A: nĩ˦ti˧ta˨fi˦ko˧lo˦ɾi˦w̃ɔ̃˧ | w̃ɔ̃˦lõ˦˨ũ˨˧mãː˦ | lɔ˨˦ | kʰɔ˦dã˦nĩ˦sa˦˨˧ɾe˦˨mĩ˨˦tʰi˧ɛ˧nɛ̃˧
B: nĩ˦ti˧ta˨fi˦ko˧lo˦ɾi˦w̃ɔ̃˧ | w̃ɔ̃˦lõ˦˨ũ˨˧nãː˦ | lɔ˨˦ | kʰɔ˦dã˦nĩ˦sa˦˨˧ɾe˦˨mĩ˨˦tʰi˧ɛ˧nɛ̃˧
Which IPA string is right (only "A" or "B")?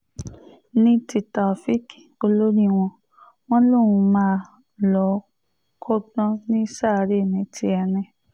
A